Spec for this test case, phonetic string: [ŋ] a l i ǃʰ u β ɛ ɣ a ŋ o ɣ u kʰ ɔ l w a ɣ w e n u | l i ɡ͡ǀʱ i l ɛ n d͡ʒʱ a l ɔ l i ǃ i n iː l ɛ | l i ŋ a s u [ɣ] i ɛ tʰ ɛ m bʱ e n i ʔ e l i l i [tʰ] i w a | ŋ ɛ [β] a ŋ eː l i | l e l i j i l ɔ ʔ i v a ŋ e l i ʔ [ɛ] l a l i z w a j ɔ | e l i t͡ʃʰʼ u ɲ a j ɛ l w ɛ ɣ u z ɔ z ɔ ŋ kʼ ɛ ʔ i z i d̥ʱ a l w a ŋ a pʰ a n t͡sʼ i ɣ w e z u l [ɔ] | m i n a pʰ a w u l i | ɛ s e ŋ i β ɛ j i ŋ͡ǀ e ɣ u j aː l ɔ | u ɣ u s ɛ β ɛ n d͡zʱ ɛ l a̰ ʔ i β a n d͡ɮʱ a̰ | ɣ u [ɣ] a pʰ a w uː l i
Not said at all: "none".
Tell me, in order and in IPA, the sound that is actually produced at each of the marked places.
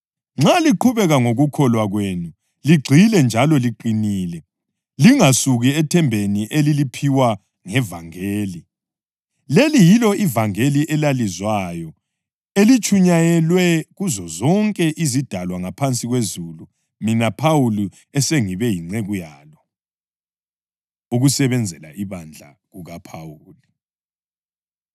ŋ͡ǁ, ɣ, pʰ, v, ɛ, u, ɣ

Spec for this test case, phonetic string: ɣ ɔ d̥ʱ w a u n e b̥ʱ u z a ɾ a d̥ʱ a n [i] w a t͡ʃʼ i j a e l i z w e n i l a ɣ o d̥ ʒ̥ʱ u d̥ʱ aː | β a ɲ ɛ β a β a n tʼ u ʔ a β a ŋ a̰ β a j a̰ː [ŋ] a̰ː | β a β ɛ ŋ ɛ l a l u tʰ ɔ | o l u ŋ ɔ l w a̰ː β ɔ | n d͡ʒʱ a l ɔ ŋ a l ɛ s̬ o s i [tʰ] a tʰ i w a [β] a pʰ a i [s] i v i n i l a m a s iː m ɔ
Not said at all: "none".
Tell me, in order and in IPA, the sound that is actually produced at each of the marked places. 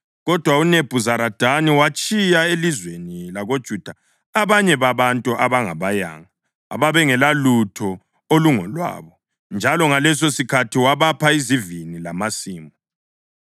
i, ŋ, kʰ, β, z

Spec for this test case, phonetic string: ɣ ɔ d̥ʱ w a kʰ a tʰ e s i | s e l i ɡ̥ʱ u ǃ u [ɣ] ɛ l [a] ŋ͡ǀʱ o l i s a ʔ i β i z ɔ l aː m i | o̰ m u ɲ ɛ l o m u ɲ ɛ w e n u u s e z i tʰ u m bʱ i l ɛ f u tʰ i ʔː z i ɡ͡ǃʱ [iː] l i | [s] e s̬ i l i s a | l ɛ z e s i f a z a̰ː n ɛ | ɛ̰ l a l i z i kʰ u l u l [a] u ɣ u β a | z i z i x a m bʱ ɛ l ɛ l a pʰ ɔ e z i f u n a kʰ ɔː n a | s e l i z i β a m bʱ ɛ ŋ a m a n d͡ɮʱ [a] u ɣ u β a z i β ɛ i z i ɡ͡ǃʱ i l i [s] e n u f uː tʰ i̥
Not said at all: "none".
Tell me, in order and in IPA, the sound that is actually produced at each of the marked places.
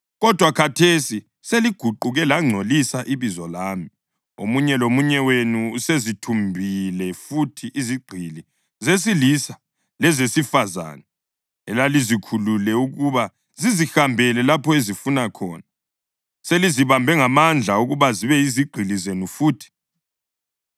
ɣ, a, i, z, ɛ, a, z

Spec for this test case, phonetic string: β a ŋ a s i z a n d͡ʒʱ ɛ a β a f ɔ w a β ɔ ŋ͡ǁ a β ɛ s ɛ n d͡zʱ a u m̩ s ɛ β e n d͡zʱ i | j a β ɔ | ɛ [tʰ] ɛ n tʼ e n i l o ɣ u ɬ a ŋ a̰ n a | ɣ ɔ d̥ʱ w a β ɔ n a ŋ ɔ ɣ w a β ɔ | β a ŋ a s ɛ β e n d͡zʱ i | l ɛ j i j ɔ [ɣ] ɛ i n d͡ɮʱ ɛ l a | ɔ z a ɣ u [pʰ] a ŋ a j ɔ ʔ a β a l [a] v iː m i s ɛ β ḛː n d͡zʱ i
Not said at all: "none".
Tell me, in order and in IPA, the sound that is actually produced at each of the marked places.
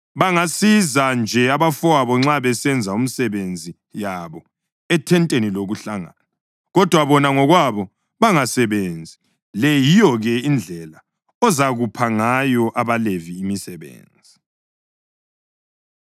tʰ, ɣ, pʰ, e

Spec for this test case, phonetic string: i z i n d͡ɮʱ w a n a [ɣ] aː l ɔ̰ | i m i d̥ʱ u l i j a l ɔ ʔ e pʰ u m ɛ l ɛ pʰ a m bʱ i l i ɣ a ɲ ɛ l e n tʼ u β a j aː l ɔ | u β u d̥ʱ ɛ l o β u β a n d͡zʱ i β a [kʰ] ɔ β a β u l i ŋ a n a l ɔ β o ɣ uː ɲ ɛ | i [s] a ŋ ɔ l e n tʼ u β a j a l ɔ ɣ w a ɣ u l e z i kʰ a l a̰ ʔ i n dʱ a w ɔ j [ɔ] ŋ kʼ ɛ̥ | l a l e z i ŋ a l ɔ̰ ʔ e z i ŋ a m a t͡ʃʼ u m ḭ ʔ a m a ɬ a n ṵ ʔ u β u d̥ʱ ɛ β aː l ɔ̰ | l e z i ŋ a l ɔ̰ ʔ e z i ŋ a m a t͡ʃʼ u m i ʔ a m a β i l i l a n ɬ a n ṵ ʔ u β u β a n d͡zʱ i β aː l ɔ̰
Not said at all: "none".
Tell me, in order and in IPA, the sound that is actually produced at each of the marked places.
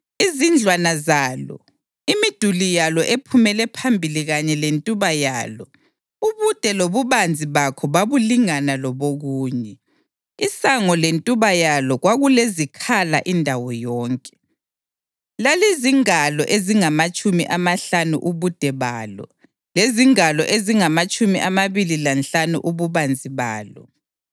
z, kʰ, s, ɔː

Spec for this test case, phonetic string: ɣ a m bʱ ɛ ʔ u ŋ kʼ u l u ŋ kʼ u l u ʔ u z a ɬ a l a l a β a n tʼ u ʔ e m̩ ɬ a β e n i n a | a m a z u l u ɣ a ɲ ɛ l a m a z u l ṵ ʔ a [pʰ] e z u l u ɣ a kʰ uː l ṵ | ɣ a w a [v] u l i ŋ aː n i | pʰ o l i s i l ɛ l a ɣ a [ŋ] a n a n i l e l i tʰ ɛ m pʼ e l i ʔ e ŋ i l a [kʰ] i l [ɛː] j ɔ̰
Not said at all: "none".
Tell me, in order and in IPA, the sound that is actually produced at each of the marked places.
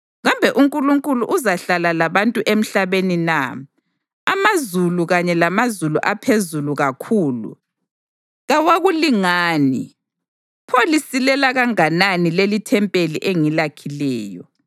pʰ, ɣ, ŋ, kʰ, ɛː

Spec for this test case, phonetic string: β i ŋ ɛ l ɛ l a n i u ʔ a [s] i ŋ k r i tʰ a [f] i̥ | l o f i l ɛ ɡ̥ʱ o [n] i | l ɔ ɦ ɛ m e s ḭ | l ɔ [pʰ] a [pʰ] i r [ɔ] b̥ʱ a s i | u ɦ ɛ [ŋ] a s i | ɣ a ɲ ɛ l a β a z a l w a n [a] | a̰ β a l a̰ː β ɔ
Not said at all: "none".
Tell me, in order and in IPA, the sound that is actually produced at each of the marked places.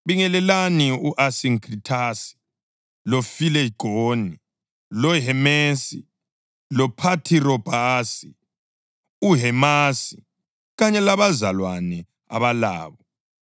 s, s, n, pʰ, tʰ, ɔ, m, ɛ

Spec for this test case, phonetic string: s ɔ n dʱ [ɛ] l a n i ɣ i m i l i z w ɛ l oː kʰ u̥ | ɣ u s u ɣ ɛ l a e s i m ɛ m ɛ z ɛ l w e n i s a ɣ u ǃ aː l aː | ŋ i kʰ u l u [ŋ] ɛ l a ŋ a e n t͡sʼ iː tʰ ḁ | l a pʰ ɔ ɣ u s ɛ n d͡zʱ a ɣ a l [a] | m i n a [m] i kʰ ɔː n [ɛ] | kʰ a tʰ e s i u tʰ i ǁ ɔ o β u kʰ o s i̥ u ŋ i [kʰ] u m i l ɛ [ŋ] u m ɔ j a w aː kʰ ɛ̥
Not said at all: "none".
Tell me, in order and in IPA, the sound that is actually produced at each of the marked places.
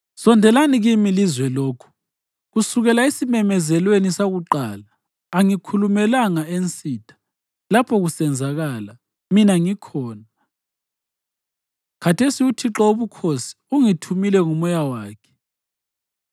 ɛ, m, a, ŋ, a, tʰ, ŋ

